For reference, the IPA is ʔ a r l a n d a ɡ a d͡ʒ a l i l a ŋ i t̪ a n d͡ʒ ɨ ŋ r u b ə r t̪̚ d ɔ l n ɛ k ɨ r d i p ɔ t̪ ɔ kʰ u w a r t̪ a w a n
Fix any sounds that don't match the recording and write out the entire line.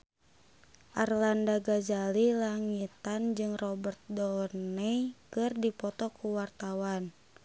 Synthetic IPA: ʔ a r l a n d a ɡ a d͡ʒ a l i l a ŋ i t̪ a n d͡ʒ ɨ ŋ r ɔ b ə r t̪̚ d ɔ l n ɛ k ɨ r d i p ɔ t̪ ɔ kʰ u w a r t̪ a w a n